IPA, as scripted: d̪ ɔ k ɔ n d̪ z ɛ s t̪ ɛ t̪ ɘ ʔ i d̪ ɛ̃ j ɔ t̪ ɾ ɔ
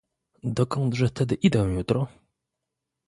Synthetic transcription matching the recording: d̪ ɔ k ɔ n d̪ ʐ ɛ f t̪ ɛ d̪ ɘ ʔ i d̪ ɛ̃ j u t̪ ɾ ɔ

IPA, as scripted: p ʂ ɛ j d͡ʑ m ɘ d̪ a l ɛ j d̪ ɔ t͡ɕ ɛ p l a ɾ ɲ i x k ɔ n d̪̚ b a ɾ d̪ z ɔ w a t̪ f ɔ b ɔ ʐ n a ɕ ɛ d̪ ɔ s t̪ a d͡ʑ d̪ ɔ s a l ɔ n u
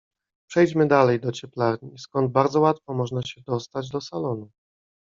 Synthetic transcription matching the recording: p ʂ ɛ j d͡ʑ m ɘ d̪ a l ɛ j d̪ ɔ t͡ɕ ɛ p l a ɾ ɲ i s k ɔ n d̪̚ b a ɾ d̪ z ɔ w a t̪ f ɔ m ɔ ʐ n a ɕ ɛ d̪ ɔ s t̪ a d͡ʑ d̪ ɔ s a l ɔ n u

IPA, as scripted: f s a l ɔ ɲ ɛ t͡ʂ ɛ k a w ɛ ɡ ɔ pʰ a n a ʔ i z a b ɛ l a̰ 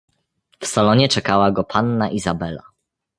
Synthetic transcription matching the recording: f s a l ɔ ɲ ɛ t͡ʂ ɛ k a w a ɡ ɔ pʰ a nː a ʔ i z a b ɛ l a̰

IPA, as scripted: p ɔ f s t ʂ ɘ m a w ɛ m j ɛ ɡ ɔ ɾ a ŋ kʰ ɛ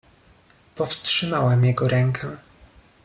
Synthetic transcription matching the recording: p ɔ f s t ʂ ɘ m a w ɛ m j ɛ ɡ ɔ ɾ ɛ ŋ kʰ ɛ

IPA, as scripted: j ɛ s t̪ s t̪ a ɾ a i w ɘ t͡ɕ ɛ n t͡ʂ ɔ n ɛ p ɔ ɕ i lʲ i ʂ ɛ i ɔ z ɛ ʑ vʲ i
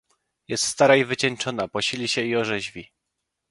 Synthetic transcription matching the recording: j ɛ s t̪ s t̪ a ɾ a i v ɘ t͡ɕ ɛ n t͡ʂ ɔ n a p ɔ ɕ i lʲ i ɕ ɛ i ɔ ʐ ɛ ʑ vʲ i

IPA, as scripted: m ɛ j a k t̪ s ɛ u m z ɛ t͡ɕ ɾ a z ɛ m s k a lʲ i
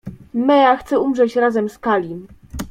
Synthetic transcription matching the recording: m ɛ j a x t̪ s ɛ u m ʐ ɛ t͡ɕ ɾ a z ɛ m s k a lʲ i

